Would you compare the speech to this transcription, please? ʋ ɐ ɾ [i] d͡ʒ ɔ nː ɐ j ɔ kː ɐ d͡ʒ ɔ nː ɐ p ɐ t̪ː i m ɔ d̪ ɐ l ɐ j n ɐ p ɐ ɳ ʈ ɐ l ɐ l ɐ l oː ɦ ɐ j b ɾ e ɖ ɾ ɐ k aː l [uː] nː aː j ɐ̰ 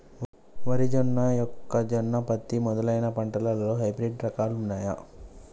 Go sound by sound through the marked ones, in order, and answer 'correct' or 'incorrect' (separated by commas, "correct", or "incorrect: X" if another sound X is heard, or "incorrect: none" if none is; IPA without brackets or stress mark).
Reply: correct, incorrect: u